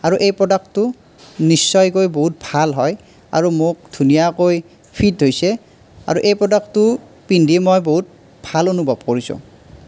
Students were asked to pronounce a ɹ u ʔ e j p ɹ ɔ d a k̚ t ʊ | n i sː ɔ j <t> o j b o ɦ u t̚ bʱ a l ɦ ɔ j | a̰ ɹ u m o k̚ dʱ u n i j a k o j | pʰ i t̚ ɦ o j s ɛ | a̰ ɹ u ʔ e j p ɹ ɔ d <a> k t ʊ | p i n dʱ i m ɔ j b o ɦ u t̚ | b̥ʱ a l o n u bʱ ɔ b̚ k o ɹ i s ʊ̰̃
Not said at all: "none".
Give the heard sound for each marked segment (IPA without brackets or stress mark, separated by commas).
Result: k, a